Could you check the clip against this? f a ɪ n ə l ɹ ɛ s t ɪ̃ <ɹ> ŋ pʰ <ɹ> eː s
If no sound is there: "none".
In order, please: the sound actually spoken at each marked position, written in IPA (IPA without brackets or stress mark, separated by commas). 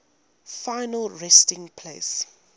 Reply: none, l